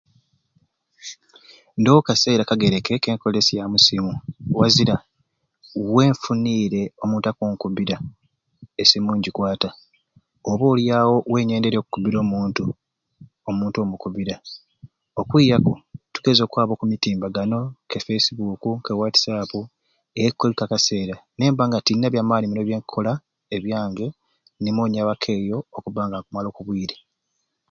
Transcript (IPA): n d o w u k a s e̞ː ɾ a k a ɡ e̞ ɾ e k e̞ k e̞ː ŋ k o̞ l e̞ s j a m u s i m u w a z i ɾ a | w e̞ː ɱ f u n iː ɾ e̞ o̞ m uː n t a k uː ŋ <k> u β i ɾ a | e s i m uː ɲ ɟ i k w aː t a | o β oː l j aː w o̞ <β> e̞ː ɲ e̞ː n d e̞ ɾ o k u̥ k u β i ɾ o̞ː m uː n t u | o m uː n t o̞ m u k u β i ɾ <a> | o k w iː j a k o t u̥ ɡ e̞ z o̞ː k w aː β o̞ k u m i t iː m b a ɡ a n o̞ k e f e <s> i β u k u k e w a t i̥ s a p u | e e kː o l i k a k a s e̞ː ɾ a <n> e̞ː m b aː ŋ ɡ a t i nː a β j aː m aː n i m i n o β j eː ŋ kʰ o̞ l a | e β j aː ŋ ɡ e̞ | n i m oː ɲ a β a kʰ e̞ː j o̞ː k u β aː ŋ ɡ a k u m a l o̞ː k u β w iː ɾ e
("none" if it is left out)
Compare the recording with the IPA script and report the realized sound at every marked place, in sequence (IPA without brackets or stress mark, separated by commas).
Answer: k, w, a, s, n